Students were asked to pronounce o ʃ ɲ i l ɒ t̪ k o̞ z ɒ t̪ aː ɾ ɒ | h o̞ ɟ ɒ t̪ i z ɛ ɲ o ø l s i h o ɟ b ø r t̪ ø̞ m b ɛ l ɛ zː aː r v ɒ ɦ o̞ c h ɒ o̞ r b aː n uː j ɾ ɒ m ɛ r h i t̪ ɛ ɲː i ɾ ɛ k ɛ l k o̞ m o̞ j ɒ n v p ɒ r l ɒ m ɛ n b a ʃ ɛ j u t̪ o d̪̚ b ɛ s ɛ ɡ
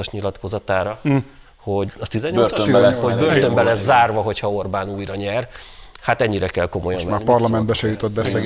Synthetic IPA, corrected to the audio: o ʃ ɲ i l ɒ t̪ k o̞ z ɒ t̪ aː ɾ ɒ | h o̞ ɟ ɒ t̪ i z ɛ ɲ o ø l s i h o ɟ b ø r t̪ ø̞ m b ɛ l ɛ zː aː r v ɒ ɦ o̞ c h ɒ o̞ r b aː n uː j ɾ ɒ ɲ ɛ r h a t̪ ɛ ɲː i ɾ ɛ k ɛ l k o̞ m o̞ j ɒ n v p ɒ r l ɒ m ɛ n b ɛ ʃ ɛ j u t̪ o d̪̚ b ɛ s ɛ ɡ